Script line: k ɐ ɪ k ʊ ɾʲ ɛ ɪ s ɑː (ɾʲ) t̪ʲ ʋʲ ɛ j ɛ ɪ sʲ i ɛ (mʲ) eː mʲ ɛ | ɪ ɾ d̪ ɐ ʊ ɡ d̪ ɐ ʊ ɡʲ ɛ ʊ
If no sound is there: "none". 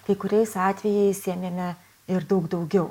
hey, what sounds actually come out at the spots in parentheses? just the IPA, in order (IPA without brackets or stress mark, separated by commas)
none, mʲ